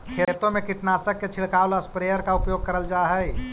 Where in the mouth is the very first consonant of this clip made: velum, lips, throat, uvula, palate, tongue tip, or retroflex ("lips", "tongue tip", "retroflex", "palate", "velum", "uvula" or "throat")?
velum